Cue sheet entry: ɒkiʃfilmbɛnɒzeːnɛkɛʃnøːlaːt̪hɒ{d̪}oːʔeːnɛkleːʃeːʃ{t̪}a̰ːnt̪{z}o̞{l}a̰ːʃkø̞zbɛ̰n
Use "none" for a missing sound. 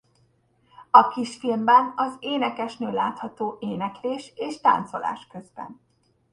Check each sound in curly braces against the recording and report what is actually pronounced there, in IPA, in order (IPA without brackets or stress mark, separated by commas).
t̪, t̪, s, l